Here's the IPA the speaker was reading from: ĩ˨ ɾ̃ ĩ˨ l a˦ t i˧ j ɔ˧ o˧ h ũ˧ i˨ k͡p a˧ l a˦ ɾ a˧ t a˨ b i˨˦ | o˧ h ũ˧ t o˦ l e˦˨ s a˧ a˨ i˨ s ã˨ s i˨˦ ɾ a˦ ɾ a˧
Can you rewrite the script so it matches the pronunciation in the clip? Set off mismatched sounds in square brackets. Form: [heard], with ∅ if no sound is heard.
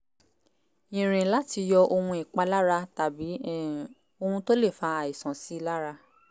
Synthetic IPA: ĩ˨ ɾ̃ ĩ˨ l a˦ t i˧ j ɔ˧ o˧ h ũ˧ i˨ k͡p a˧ l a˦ ɾ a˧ t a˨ b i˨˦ | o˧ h ũ˧ t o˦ l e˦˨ [f] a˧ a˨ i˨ s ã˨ s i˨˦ [l] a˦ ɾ a˧